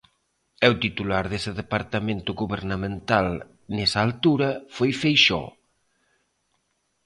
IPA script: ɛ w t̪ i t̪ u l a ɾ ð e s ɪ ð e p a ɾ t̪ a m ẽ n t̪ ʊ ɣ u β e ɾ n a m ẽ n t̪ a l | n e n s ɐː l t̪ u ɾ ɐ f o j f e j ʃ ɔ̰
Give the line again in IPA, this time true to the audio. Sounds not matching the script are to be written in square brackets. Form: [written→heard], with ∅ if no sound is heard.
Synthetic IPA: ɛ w t̪ i t̪ u l a ɾ ð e s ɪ ð e p a ɾ t̪ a m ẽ n t̪ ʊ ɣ u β e ɾ n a m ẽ n t̪ a l | n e [n→∅] s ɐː l t̪ u ɾ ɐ f o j f e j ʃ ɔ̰